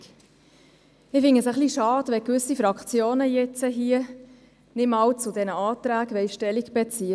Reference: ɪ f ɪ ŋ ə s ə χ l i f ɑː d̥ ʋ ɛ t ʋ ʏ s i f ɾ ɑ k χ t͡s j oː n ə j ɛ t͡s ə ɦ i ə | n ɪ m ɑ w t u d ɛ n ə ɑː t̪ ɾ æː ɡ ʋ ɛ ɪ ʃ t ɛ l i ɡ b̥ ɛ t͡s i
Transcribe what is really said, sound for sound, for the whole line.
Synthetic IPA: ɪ f ɪ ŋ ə s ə χ l i ʃ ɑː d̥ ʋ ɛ k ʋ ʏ s i f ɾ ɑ k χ t͡s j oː n ə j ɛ t͡s ə ɦ i ə | n ɪ m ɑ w t͡s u d ɛ n ə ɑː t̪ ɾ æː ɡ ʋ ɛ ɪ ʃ t ɛ l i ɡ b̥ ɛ t͡s i